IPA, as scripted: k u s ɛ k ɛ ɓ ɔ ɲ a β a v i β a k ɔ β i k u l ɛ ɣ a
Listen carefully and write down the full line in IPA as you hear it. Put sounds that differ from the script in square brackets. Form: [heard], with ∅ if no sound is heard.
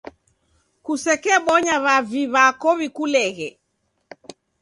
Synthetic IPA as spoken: k u s ɛ k ɛ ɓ ɔ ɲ a β a v i β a k ɔ β i k u l ɛ ɣ [ɛ]